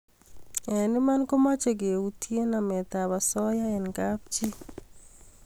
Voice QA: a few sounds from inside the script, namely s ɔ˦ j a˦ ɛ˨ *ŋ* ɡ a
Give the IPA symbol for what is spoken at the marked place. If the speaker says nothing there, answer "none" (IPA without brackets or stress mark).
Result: n